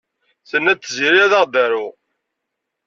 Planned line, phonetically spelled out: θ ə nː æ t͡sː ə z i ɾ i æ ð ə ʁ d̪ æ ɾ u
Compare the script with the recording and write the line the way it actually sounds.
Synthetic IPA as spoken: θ ə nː æ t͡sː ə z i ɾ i æ ð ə ʁ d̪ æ ɾ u